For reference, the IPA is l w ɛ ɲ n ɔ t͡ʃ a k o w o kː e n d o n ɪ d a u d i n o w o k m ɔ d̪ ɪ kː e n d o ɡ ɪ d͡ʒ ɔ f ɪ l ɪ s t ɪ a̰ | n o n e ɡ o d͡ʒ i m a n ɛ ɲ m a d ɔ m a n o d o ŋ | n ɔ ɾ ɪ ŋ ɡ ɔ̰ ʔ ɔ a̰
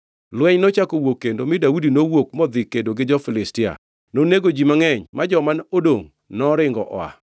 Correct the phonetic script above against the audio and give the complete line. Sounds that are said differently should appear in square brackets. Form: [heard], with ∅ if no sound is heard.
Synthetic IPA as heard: l w ɛ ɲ n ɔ t͡ʃ a k o w o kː e n d o [m] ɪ d a u d i n o w o k m ɔ d̪ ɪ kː e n d o ɡ ɪ d͡ʒ ɔ f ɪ l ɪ s t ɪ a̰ | n o n e ɡ o d͡ʒ i m a [ŋ] ɛ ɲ m a [d͡ʒ] ɔ m a n o d o ŋ | n ɔ ɾ ɪ ŋ ɡ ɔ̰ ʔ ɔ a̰

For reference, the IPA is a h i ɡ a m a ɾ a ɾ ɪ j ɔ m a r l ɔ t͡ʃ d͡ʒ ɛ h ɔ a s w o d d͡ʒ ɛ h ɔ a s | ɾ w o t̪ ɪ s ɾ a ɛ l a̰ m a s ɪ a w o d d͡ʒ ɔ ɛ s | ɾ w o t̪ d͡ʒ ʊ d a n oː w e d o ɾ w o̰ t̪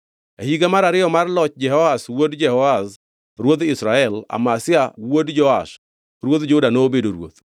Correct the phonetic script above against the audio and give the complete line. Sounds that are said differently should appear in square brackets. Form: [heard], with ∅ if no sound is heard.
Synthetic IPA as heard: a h i ɡ a m a ɾ a ɾ ɪ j ɔ m a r l ɔ t͡ʃ d͡ʒ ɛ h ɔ a s w o d d͡ʒ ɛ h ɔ a s | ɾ w o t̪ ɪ s ɾ a ɛ l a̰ m a s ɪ a w o d d͡ʒ ɔ [a] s | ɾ w o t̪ d͡ʒ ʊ d a n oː [b] e d o ɾ w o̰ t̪

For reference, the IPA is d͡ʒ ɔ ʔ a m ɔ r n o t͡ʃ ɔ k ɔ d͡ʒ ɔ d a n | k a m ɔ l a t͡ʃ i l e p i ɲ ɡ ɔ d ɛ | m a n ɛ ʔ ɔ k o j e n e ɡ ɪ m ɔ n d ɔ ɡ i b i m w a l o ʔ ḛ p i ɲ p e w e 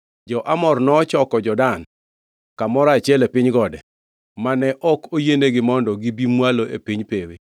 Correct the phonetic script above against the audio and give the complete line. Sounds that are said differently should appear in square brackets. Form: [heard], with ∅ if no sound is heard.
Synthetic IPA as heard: d͡ʒ ɔ ʔ a m ɔ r n [ɔ] t͡ʃ ɔ k ɔ d͡ʒ ɔ d a n | k a m ɔ [ɾ] a t͡ʃ [ɛ] l e p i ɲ ɡ ɔ d ɛ | m a n ɛ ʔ ɔ k o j e n e ɡ ɪ m ɔ n d ɔ ɡ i b i m w a l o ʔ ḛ p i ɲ p e w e

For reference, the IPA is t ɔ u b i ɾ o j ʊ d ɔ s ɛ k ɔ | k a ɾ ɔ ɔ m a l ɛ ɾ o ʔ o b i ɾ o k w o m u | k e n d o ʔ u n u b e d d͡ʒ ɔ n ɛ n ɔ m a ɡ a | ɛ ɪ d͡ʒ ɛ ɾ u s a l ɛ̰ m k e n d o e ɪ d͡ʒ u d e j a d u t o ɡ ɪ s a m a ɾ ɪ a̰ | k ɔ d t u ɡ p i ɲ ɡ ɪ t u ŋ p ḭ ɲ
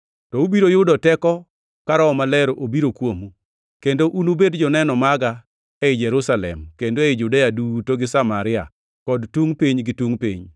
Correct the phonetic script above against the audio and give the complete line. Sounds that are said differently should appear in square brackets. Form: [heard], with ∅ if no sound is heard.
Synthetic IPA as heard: t ɔ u b i ɾ o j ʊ d ɔ [t] ɛ k ɔ | k a ɾ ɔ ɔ m a l ɛ ɾ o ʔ o b i ɾ o k w o m u | k e n d o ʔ u n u b e d d͡ʒ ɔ n ɛ n ɔ m a ɡ a | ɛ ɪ d͡ʒ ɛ ɾ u s a l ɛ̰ m k e n d o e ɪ d͡ʒ u d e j a d u t o ɡ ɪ s a m a ɾ ɪ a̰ | k ɔ d t u [ŋ] p i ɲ ɡ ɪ t u ŋ p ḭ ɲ

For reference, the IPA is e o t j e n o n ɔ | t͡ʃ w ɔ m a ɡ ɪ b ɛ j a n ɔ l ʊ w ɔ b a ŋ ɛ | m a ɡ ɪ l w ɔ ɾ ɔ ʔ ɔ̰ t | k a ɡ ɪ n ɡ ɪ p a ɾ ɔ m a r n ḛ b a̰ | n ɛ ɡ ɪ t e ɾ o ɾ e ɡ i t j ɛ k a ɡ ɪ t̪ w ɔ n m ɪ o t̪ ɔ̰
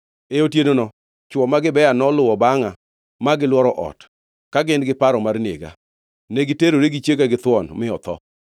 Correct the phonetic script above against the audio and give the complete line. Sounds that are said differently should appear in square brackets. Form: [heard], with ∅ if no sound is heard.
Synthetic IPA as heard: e o t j e n o n ɔ | t͡ʃ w ɔ m a ɡ ɪ b ɛ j a n ɔ l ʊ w ɔ b a ŋ [a] | m a ɡ ɪ l w ɔ ɾ ɔ ʔ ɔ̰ t | k a ɡ ɪ n ɡ ɪ p a ɾ ɔ m a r n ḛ [ɡ] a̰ | n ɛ ɡ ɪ t e ɾ o ɾ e ɡ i [t͡ʃ] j [e] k a ɡ ɪ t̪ w ɔ n m ɪ [ɔ] t̪ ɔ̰

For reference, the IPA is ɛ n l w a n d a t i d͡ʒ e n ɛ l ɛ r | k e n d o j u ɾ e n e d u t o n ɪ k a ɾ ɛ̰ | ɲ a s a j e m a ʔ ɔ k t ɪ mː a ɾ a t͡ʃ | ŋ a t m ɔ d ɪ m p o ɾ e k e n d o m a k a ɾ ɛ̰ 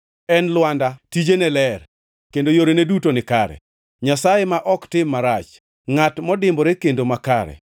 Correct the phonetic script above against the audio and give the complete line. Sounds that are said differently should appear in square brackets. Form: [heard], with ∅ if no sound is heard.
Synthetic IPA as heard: ɛ n l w a n d a t i d͡ʒ e n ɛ l ɛ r | k e n d o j [o] ɾ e n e d u t o n ɪ k a ɾ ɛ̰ | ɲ a s a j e m a ʔ ɔ k t ɪ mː a ɾ a t͡ʃ | ŋ a t m ɔ d ɪ m [b] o ɾ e k e n d o m a k a ɾ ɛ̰

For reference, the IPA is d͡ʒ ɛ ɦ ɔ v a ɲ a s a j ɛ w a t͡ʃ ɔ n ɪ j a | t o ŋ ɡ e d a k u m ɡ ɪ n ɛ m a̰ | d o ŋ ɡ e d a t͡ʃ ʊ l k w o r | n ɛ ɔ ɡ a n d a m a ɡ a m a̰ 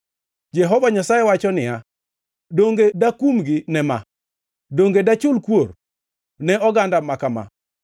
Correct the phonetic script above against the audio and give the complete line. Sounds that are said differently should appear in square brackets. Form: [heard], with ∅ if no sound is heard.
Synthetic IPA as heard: d͡ʒ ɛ ɦ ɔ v a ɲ a s a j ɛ w a t͡ʃ ɔ n ɪ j a | [d] o ŋ ɡ e d a k u m ɡ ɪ n ɛ m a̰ | d o ŋ ɡ e d a t͡ʃ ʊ l k w o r | n ɛ ɔ ɡ a n d a m a [k] a m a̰

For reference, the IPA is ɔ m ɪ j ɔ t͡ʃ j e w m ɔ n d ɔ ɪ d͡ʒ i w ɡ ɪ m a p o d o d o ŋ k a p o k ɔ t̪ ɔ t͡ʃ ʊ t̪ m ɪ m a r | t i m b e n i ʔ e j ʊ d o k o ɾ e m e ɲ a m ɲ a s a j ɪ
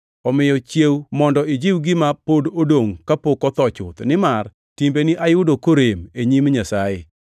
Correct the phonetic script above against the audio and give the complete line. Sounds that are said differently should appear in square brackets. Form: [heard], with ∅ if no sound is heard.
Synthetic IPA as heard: ɔ m ɪ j ɔ t͡ʃ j e w m ɔ n d ɔ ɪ d͡ʒ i w ɡ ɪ m a p o d o d o ŋ k a p o k ɔ t̪ ɔ t͡ʃ ʊ t̪ [n] ɪ m a r | t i m b e n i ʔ [a] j ʊ d o k o ɾ e m e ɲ [i] m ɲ a s a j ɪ

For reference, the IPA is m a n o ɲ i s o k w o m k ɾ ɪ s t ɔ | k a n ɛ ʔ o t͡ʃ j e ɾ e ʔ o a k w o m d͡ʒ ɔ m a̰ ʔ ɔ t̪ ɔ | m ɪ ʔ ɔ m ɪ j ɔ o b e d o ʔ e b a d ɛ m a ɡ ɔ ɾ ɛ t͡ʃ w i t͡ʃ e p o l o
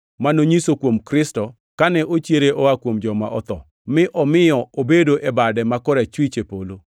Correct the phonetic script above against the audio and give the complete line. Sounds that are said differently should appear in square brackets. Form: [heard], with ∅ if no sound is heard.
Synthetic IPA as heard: m a n o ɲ i s o k w o m k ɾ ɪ s t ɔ | k a n ɛ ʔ o t͡ʃ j e ɾ e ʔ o a k w o m d͡ʒ ɔ m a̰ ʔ ɔ t̪ ɔ | m ɪ ʔ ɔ m ɪ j ɔ o b e d o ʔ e b a d ɛ m a [k] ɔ ɾ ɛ t͡ʃ w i t͡ʃ e p o l o

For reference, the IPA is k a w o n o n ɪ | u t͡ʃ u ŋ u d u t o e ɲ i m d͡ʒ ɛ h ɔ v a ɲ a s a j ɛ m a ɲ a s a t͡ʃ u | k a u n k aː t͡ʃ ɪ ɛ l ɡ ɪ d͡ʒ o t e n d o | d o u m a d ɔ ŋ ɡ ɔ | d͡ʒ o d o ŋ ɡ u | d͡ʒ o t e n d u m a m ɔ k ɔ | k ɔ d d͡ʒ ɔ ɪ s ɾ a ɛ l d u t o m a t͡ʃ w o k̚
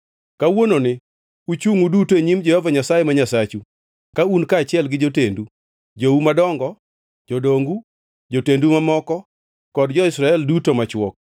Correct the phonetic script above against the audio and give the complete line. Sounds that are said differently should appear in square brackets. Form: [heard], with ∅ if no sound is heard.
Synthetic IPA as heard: k a w o n o n ɪ | u t͡ʃ u ŋ u d u t o e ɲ i m d͡ʒ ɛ h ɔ v a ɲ a s a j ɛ m a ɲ a s a t͡ʃ u | k a u n k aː t͡ʃ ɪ ɛ l ɡ ɪ d͡ʒ o t e n d [u] | [d͡ʒ] o u m a d ɔ ŋ ɡ ɔ | d͡ʒ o d o ŋ ɡ u | d͡ʒ o t e n d u m a m ɔ k ɔ | k ɔ d d͡ʒ ɔ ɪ s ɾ a ɛ l d u t o m a t͡ʃ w [ɔ] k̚

